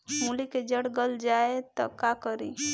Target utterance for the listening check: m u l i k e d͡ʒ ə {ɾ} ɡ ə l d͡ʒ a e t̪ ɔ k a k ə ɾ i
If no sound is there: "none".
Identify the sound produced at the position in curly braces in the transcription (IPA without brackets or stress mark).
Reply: ɽ